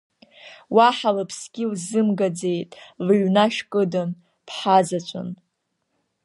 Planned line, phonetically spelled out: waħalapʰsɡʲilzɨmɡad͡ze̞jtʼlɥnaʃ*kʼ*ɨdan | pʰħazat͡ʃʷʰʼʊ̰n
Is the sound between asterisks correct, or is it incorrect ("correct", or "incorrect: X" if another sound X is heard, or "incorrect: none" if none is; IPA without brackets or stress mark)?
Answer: correct